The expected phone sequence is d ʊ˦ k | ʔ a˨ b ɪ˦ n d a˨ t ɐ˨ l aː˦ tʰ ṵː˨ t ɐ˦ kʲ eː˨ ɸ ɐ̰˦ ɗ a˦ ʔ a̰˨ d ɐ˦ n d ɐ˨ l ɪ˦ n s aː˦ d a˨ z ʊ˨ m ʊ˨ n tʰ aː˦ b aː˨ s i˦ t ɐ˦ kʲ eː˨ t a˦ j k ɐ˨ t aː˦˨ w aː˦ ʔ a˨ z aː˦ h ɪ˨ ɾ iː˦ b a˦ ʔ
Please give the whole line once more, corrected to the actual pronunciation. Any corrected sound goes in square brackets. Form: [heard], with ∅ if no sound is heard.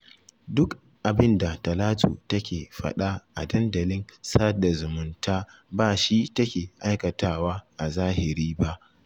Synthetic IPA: d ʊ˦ k | ʔ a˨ b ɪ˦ n d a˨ t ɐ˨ l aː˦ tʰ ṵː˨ t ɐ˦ kʲ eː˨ ɸ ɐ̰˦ ɗ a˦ ʔ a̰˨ d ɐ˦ n d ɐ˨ l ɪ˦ n s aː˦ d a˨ z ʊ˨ m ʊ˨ n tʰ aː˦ b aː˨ [ʃ] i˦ t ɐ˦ kʲ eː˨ [ʔ] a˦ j k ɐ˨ t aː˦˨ w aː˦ ʔ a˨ z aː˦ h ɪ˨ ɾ iː˦ b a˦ ʔ